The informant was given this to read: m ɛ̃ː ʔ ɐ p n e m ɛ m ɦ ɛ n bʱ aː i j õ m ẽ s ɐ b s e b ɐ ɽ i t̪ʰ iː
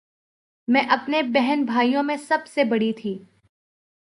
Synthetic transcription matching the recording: m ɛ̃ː ʔ ɐ p n e b ɛ ɦ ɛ n bʱ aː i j õ m ẽ s ɐ b s e b ɐ ɽ i t̪ʰ iː